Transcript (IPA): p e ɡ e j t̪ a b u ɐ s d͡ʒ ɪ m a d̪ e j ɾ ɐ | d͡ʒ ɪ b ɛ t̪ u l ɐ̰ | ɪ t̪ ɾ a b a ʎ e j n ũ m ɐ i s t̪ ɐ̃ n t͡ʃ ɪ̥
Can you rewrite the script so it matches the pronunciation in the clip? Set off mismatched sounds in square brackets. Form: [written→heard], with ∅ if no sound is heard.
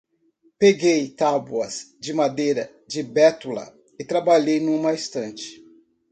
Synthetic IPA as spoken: p e ɡ e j t̪ a b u ɐ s d͡ʒ ɪ m a d̪ e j ɾ ɐ | d͡ʒ ɪ b ɛ t̪ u l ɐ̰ | ɪ t̪ ɾ a b a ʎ e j n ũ m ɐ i s t̪ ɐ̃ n t͡ʃ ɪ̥